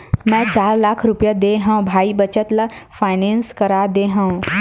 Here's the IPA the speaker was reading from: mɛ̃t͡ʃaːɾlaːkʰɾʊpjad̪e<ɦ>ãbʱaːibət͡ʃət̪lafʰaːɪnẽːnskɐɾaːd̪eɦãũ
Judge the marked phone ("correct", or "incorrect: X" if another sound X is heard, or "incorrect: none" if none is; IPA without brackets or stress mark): correct